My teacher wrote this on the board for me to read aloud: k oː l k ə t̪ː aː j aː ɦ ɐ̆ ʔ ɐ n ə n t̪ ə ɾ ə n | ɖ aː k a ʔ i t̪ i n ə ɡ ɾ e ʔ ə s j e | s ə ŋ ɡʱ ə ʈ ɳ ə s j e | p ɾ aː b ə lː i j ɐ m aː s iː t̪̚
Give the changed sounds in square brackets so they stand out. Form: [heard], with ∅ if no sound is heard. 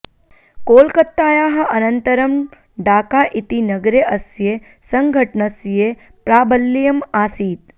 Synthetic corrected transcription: k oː l k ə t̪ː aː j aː ɦ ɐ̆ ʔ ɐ n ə n t̪ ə ɾ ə [m] | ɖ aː k a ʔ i t̪ i n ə ɡ ɾ e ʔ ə s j e | s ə ŋ ɡʱ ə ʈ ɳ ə s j e | p ɾ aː b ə lː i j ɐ m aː s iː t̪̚